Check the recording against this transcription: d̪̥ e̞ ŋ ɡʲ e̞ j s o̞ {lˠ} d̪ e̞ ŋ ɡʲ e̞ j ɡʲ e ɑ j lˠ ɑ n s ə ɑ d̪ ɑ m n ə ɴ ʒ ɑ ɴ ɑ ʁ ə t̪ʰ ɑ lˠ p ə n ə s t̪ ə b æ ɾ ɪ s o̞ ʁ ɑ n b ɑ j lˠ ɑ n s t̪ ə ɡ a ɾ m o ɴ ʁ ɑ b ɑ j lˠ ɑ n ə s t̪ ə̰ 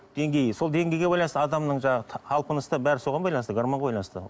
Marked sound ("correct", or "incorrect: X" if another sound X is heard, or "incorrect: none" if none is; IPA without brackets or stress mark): correct